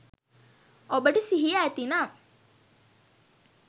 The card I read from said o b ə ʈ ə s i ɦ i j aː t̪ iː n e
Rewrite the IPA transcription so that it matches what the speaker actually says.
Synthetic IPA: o b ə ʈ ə s i ɦ i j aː t̪ i n a